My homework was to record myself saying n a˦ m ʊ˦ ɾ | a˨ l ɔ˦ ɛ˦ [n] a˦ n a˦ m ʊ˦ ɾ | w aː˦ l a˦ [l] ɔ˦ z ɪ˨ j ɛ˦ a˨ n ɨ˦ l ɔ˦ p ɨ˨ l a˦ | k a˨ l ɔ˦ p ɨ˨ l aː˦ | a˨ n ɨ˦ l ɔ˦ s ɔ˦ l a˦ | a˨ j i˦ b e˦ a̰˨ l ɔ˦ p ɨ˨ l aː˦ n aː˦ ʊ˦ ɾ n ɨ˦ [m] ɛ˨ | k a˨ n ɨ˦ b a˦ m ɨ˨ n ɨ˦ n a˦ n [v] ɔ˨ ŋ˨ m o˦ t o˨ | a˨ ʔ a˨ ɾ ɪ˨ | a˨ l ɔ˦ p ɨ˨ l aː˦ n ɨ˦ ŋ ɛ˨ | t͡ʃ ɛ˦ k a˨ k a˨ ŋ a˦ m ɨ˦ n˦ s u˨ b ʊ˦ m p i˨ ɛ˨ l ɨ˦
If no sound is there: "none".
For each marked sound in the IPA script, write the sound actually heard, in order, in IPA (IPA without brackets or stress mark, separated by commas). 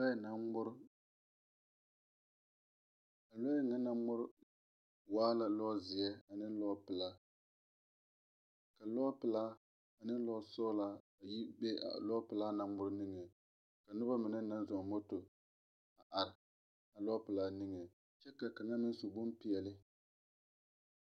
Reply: ŋ, l, ŋ, z